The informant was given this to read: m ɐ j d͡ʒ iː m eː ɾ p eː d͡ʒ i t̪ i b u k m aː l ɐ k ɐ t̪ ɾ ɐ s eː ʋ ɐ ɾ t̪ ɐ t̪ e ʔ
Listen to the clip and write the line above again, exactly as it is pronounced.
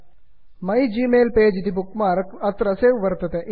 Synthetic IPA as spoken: m ɐ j d͡ʒ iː m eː l p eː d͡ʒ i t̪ i b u k m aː ɾ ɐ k ɐ t̪ ɾ ɐ s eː ʋ ɐ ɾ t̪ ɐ t̪ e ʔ